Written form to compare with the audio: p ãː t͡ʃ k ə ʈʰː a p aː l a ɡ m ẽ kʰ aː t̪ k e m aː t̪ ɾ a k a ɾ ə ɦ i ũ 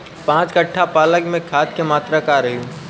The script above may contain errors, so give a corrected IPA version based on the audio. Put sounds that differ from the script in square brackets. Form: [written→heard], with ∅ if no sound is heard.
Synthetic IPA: p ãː t͡ʃ k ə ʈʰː a p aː l [a→ə] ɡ m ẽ kʰ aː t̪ k e m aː t̪ ɾ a k a ɾ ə ɦ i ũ

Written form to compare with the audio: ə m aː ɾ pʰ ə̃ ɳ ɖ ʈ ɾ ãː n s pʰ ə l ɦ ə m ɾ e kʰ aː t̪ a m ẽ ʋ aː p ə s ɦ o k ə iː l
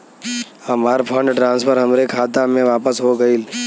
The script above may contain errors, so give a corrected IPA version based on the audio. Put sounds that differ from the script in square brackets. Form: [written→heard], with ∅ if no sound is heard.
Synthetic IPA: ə m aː ɾ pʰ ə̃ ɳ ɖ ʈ ɾ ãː n s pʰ ə [l→ɾ] ɦ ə m ɾ e kʰ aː t̪ a m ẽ ʋ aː p ə s ɦ o [k→ɡ] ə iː l

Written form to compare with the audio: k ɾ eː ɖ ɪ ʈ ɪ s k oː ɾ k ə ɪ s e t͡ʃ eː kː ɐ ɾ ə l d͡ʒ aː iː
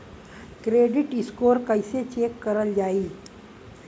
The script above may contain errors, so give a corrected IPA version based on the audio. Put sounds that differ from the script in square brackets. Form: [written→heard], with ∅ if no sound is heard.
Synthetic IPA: k ɾ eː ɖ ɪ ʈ ɪ s k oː ɾ k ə ɪ s e t͡ʃ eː kː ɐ ɾ ə l d͡ʒ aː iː

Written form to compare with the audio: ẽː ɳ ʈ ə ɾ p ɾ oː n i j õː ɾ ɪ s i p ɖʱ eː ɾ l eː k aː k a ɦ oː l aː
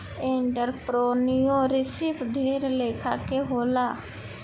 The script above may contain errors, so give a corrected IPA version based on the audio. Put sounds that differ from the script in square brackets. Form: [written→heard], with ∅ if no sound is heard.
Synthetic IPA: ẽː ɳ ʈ ə ɾ p ɾ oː n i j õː ɾ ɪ s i p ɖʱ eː ɾ l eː [k→kʰ] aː k [a→e] ɦ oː l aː

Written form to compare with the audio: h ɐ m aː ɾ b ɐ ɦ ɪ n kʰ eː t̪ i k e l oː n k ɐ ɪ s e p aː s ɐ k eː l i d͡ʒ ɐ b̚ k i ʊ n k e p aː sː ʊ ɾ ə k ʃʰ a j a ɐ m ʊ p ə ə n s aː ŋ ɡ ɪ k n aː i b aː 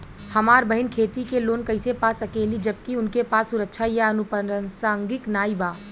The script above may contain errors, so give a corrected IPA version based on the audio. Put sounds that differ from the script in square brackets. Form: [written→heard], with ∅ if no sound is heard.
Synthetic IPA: h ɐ m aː ɾ b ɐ ɦ ɪ n kʰ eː t̪ i k e l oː n k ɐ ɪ s e p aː s ɐ k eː l i d͡ʒ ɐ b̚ k i ʊ n k e p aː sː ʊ ɾ ə k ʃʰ a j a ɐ [m→n] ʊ p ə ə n s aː ŋ ɡ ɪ k n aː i b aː

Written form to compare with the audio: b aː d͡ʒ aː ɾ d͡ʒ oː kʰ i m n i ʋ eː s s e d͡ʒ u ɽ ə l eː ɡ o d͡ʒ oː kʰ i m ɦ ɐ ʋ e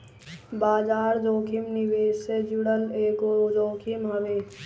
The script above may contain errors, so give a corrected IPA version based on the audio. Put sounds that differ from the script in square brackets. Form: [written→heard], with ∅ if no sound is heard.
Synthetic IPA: b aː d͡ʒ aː ɾ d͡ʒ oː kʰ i m n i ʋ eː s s e d͡ʒ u ɽ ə l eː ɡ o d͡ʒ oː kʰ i m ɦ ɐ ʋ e

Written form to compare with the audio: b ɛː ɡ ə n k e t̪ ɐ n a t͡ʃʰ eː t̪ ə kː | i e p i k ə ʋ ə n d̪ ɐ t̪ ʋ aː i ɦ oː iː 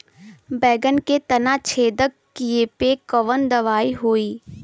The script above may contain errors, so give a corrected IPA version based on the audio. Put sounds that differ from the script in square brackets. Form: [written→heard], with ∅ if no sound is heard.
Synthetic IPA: b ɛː ɡ ə n k e t̪ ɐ n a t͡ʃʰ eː [t̪→d̪] ə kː | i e p [i→e] k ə ʋ ə n d̪ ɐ [t̪→∅] ʋ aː i ɦ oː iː

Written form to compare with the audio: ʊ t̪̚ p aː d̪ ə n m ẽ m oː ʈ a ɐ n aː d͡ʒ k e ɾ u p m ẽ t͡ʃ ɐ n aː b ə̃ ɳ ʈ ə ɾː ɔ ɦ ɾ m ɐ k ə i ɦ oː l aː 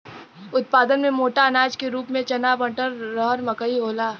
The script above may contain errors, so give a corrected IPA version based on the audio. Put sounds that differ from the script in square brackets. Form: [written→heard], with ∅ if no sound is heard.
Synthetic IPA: ʊ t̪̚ p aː d̪ ə n m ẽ m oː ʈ a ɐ n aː d͡ʒ k e ɾ [u→uː] p m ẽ t͡ʃ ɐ n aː b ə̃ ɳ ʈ ə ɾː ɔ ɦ ɾ m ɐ k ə i ɦ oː l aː

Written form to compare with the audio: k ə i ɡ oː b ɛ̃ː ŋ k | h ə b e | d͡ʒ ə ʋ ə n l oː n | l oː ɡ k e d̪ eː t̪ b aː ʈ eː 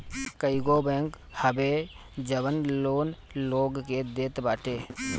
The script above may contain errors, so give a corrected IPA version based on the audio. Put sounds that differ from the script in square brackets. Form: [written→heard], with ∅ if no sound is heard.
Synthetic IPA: k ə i ɡ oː b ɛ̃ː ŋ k | h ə b e | d͡ʒ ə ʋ ə n l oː n | l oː ɡ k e d̪ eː t̪ b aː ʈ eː

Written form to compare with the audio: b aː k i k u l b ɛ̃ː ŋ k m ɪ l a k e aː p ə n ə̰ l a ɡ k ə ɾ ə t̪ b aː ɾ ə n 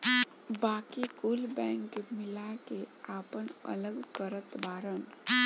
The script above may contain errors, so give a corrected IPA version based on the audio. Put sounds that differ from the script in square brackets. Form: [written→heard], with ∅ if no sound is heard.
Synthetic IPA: b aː k i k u l b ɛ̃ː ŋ k m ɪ l a k e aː p ə n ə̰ l [a→ə] ɡ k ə ɾ ə t̪ b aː ɾ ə n

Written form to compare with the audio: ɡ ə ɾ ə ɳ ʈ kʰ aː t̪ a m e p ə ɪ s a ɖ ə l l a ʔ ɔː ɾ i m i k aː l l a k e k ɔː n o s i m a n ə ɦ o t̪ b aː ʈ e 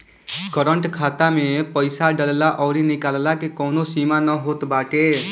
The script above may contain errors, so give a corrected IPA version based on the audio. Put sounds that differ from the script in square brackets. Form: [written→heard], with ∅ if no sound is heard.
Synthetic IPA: [ɡ→k] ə ɾ ə ɳ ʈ kʰ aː t̪ a m e p ə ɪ s a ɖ ə l l a ʔ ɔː ɾ i [m→n] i k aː l l a k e k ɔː n o s i m a n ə ɦ o t̪ b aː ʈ e

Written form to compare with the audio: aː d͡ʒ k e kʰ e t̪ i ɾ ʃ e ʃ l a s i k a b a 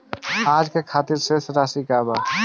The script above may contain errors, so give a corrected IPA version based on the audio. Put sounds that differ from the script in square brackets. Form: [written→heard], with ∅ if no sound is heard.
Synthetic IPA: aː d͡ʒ k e kʰ [e→a] t̪ i ɾ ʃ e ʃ [l→ɾ] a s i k a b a

